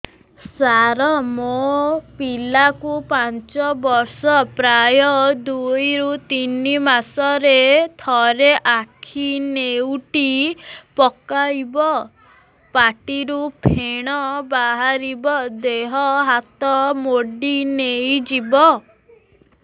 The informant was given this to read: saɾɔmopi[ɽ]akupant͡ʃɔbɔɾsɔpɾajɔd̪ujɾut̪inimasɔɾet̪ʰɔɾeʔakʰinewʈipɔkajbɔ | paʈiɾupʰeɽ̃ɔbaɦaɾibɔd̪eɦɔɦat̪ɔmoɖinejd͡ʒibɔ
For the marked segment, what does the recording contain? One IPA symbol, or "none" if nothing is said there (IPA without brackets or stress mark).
l